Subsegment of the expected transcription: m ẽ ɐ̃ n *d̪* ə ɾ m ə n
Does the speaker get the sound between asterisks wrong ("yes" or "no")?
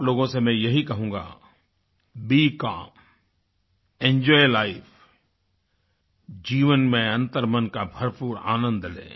yes